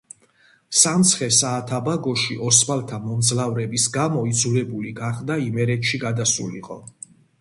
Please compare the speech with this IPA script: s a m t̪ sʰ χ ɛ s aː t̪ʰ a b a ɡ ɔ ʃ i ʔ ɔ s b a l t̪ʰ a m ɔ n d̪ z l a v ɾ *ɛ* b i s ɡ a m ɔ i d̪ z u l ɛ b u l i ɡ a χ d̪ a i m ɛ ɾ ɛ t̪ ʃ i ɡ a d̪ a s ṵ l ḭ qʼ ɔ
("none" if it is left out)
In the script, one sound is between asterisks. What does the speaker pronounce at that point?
ɛ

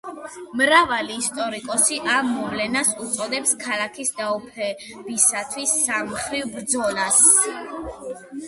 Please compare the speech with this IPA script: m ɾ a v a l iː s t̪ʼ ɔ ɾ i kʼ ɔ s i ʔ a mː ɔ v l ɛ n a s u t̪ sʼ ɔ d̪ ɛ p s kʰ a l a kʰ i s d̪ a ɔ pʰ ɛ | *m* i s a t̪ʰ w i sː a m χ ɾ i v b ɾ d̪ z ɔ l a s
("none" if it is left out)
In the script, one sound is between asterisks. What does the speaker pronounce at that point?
b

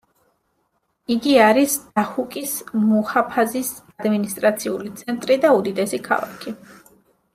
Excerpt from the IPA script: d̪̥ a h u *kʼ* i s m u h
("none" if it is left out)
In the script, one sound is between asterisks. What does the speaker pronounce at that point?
kʼ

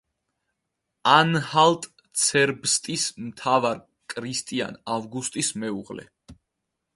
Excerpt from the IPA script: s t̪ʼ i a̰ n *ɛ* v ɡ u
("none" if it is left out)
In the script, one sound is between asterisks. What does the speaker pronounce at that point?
a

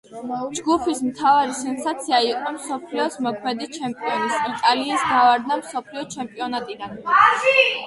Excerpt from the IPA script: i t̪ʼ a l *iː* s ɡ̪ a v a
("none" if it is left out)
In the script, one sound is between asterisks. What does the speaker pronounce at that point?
iː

